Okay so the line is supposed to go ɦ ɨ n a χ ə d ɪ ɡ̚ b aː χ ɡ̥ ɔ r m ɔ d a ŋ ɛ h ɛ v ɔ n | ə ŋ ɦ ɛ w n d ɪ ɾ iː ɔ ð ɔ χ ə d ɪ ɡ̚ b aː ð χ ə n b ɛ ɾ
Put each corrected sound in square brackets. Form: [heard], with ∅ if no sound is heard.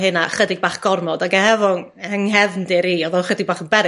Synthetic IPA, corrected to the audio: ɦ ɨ n a χ ə d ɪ ɡ̚ b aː χ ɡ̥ ɔ r m ɔ d a [ɡ] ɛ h ɛ v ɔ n | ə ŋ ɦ ɛ [v] n d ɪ ɾ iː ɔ ð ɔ χ ə d ɪ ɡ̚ b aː [∅] χ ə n b ɛ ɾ